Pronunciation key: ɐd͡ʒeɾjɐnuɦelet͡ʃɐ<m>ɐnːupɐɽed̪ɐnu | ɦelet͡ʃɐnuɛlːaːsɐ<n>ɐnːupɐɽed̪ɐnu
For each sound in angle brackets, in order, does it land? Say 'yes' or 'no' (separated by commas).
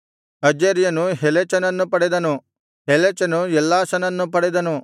no, yes